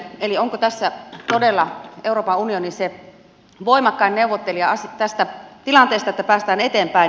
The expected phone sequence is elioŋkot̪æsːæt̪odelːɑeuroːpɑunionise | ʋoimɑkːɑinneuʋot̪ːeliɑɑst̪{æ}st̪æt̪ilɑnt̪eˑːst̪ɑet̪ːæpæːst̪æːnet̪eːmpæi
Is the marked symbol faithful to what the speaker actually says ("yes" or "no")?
yes